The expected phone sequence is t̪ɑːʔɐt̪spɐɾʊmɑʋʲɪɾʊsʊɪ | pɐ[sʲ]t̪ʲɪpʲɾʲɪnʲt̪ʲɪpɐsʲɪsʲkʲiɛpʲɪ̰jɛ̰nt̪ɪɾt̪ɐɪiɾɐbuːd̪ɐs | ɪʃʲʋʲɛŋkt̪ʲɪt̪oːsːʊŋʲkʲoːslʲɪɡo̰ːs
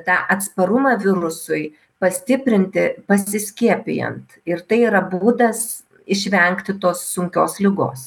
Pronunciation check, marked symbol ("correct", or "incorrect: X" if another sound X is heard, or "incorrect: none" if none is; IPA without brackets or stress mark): correct